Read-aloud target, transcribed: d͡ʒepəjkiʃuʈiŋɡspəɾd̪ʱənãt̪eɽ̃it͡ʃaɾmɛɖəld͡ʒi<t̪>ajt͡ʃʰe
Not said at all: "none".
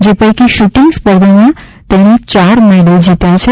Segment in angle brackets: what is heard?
t̪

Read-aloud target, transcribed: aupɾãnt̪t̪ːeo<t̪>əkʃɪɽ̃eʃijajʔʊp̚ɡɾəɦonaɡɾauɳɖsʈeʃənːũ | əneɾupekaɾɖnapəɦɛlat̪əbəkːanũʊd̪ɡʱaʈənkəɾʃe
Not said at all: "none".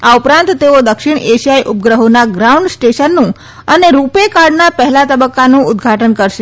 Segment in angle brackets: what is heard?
d̪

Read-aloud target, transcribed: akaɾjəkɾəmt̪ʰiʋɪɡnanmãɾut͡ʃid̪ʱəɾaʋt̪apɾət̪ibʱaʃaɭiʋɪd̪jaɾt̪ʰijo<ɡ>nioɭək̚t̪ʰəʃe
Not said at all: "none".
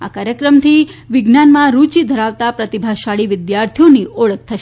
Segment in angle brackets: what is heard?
none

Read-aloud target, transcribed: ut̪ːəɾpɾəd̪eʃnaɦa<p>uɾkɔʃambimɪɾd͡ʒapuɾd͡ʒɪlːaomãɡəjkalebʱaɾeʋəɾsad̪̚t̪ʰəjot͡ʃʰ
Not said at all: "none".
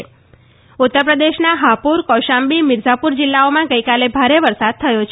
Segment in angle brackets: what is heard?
p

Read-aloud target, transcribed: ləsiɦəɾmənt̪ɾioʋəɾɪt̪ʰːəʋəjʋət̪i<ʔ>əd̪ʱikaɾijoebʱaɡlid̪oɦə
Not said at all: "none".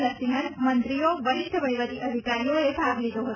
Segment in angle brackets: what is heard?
ʔ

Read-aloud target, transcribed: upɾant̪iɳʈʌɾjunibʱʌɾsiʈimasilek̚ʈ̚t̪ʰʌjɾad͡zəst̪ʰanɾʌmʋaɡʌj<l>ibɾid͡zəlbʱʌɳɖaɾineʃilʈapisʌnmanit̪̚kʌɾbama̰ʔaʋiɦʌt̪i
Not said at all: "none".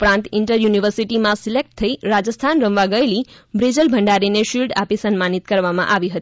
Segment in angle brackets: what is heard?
l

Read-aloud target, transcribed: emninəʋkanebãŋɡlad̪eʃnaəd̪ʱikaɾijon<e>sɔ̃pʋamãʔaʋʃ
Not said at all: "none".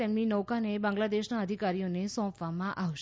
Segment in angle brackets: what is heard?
e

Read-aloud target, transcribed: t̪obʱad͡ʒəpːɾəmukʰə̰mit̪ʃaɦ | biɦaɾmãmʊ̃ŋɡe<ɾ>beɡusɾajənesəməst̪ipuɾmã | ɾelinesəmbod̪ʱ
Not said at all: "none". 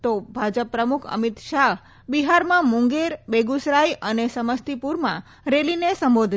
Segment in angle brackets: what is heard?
ɾ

